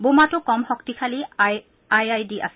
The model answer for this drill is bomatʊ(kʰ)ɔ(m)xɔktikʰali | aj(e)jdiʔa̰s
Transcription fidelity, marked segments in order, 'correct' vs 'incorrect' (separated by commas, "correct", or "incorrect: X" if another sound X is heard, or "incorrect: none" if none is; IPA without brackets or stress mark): incorrect: k, correct, incorrect: a